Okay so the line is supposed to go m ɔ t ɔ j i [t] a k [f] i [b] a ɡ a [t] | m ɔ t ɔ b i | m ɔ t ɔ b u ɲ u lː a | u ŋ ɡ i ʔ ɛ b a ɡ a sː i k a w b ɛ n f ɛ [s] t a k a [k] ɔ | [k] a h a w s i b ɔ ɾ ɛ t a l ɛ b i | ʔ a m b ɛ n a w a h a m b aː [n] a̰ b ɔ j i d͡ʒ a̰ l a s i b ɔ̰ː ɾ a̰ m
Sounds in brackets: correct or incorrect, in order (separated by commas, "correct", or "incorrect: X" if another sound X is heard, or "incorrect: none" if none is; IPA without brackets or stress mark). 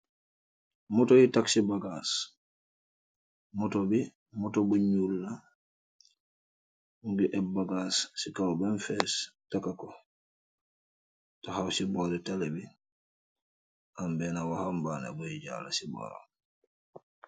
correct, incorrect: s, correct, incorrect: s, correct, correct, incorrect: t, correct